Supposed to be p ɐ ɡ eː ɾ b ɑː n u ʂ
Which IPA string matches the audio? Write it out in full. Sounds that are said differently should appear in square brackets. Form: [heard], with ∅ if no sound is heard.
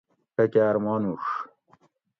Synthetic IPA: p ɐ [k] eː ɾ [m] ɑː n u ʂ